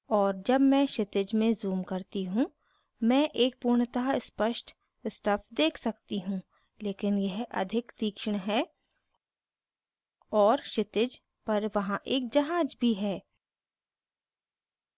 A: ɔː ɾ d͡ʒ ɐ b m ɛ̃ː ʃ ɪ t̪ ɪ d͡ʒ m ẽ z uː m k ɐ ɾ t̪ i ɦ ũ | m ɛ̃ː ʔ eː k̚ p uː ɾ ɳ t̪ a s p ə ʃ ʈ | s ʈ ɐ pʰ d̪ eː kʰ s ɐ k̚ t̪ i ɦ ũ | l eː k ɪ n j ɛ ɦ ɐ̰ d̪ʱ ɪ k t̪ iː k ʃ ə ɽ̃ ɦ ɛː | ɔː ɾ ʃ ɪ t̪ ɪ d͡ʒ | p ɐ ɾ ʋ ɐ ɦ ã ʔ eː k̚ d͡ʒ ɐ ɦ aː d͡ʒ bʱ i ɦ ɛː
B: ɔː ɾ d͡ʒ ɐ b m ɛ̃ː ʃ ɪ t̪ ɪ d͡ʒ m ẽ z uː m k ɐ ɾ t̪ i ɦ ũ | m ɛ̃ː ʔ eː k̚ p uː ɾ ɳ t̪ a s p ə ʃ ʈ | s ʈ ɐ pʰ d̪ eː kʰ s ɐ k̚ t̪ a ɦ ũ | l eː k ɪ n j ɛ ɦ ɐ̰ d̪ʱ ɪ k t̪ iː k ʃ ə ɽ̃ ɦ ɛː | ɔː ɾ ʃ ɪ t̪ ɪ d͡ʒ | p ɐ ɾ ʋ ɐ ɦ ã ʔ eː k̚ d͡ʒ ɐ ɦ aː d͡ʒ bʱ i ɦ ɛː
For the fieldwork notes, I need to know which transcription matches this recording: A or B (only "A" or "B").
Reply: A